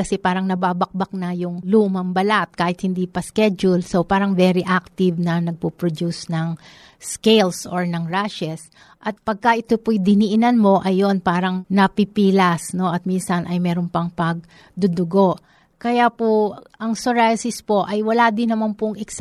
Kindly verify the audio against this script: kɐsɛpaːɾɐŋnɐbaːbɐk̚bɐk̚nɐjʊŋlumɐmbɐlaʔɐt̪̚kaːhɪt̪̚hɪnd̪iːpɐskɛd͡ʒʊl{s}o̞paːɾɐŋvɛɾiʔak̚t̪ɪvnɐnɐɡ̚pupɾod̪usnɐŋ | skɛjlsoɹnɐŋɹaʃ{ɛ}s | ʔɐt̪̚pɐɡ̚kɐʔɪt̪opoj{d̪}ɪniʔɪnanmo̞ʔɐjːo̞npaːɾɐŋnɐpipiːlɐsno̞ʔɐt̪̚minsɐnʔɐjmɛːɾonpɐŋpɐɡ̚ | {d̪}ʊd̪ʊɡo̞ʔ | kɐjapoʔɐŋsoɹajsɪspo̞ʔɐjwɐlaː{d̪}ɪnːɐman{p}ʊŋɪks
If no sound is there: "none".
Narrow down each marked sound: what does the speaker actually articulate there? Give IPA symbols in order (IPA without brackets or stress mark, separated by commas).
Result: s, ɛ, d̪, d̪, d̪, p